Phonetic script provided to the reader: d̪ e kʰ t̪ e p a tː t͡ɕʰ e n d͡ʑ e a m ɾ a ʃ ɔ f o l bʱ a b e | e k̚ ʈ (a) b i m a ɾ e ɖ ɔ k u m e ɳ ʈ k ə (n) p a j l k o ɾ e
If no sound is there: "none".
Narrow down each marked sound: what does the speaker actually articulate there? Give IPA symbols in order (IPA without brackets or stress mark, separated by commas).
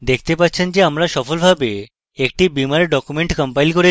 i, m